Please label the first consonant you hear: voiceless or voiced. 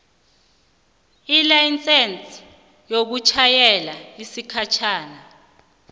voiced